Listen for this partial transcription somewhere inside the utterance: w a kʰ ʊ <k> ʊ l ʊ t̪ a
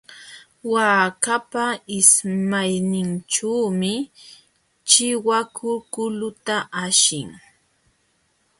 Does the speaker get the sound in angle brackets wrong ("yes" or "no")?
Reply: no